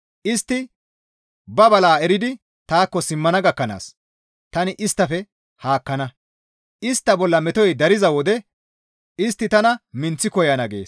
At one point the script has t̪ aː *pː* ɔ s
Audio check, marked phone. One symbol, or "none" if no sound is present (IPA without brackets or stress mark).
kː